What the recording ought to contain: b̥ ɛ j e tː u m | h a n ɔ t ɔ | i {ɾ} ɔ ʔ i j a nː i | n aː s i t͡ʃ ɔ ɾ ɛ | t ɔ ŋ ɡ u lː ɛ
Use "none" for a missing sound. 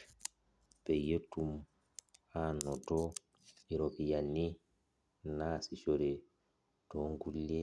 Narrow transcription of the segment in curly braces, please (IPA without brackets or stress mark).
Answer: ɾ